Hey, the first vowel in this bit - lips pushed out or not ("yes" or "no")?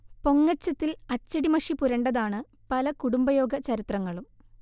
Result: yes